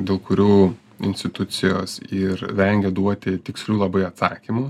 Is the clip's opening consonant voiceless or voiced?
voiced